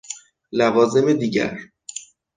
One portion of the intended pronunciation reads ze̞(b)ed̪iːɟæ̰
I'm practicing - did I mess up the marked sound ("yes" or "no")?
yes